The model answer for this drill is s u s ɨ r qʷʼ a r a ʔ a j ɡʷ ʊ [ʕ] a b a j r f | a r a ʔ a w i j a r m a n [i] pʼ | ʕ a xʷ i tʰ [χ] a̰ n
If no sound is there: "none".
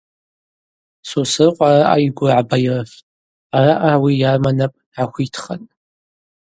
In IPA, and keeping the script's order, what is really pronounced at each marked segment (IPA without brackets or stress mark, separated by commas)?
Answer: ʕ, a, χ